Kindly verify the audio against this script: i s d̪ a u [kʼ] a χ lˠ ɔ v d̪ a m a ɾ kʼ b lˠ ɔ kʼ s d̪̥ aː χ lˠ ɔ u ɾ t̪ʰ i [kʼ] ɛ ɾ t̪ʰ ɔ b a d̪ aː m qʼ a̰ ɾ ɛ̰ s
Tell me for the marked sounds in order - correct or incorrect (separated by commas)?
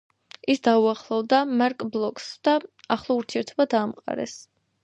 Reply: incorrect, incorrect